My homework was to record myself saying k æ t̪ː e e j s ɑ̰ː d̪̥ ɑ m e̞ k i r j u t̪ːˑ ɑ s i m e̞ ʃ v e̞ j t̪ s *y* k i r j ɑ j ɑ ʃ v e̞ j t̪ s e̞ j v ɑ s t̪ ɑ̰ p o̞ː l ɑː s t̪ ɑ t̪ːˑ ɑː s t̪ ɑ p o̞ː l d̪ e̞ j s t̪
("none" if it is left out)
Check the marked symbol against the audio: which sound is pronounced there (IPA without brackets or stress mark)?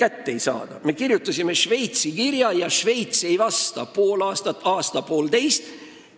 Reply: i